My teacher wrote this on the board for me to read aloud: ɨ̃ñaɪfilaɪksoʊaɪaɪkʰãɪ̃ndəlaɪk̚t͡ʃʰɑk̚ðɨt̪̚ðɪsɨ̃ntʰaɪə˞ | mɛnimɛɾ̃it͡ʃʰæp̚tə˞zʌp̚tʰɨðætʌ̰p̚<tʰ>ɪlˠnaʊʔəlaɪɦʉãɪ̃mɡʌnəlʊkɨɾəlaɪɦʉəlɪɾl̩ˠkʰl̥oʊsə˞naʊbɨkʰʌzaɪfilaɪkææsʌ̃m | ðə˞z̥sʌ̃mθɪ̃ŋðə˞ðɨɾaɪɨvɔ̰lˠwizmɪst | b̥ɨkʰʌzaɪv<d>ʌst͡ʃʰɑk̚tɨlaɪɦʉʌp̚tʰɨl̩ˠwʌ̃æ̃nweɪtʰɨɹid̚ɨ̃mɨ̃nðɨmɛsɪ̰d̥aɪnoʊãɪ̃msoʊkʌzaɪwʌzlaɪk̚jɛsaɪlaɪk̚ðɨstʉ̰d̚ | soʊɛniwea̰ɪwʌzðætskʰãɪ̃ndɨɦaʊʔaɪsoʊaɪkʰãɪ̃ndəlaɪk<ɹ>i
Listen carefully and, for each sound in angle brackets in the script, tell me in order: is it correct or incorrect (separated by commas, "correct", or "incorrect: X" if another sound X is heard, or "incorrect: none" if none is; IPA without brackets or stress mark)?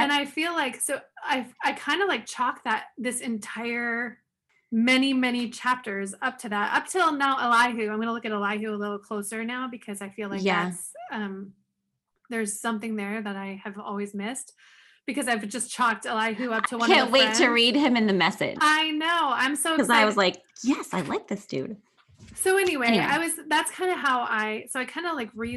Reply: correct, incorrect: d͡ʒ, correct